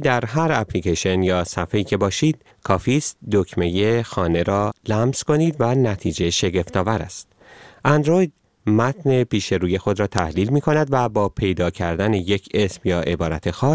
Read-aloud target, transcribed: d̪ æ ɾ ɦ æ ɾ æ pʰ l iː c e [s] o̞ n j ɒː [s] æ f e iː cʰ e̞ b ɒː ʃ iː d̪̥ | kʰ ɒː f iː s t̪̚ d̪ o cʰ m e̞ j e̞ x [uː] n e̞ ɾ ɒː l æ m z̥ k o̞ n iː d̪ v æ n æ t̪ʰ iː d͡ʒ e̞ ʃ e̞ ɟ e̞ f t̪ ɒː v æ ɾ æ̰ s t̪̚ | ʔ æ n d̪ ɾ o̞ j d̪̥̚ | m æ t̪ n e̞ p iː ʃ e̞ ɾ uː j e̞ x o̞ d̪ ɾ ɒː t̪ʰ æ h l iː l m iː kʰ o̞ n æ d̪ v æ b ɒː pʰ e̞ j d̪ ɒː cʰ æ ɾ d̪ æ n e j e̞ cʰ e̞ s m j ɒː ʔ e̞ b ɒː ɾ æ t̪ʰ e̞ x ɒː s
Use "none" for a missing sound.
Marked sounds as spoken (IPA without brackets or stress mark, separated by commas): ʃ, s, ɒː